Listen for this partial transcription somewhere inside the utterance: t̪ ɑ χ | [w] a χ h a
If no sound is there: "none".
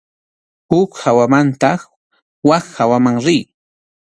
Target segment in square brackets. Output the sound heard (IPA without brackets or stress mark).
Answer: w